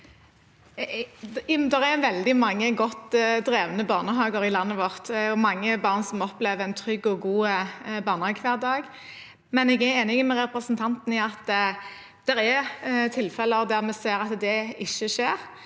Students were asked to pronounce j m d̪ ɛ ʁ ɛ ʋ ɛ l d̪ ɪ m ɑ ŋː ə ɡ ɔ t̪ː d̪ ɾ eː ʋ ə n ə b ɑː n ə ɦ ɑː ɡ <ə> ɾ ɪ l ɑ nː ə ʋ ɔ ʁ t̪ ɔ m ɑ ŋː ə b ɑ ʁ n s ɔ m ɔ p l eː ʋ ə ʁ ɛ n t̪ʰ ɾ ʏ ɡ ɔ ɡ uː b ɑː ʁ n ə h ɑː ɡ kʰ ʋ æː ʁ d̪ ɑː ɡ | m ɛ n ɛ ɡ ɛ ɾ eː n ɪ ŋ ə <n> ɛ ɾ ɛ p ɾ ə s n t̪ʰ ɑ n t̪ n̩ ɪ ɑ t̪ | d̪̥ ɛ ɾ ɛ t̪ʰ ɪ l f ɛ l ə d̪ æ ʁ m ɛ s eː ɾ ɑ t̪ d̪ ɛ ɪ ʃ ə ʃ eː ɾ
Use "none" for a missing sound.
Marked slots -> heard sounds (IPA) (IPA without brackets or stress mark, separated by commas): ə, m